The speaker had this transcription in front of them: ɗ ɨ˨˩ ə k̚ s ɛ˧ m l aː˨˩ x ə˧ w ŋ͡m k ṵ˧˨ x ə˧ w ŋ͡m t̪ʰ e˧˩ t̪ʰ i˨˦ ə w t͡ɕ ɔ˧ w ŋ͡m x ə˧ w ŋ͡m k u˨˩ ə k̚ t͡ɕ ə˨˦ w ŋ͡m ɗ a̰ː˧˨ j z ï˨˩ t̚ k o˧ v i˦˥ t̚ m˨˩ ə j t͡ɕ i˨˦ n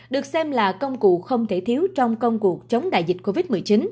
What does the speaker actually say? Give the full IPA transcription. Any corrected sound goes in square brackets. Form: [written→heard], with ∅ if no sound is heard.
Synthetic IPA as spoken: ɗ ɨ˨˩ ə k̚ s ɛ˧ m l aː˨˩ [x→k] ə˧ w ŋ͡m k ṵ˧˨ x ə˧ w ŋ͡m t̪ʰ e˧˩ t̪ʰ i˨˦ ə w t͡ɕ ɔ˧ w ŋ͡m [x→k] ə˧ w ŋ͡m k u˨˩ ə k̚ t͡ɕ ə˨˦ w ŋ͡m ɗ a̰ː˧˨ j z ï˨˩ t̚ k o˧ v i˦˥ t̚ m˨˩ ə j t͡ɕ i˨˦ n

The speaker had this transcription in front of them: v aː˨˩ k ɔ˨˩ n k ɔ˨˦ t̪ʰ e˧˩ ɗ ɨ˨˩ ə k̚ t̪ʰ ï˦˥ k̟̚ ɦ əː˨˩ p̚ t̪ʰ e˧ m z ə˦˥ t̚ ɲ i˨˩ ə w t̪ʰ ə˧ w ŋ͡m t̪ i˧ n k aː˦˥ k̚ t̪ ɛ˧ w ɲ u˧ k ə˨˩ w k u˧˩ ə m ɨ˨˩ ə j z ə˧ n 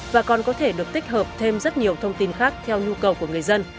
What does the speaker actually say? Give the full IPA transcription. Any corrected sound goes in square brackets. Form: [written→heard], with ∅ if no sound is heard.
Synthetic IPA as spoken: v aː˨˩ k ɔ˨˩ n k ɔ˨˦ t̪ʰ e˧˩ ɗ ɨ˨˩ ə k̚ [t̪ʰ→t̪] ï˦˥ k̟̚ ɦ əː˨˩ p̚ t̪ʰ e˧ m z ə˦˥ t̚ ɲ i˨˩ ə w t̪ʰ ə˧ w ŋ͡m t̪ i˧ n [k→x] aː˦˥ k̚ [t̪→t̪ʰ] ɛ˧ w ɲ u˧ k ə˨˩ w k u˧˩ ə [m→ŋ] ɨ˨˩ ə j z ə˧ n

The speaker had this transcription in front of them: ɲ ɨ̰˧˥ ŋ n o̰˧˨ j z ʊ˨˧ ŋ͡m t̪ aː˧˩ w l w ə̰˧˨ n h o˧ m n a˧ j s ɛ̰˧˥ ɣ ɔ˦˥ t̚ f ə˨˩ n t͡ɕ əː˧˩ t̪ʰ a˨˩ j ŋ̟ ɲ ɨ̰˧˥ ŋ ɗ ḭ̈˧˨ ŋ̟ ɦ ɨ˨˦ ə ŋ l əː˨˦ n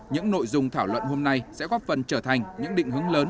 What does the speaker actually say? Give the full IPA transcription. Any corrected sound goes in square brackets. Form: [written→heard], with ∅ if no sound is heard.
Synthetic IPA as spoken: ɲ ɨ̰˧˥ ŋ n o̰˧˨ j z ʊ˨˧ ŋ͡m [t̪→t̪ʰ] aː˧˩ w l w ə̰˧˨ n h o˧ m n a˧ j s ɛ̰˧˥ ɣ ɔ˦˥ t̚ f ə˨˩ n t͡ɕ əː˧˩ t̪ʰ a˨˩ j ŋ̟ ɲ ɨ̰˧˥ ŋ ɗ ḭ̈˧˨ ŋ̟ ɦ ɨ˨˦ ə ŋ l əː˨˦ n

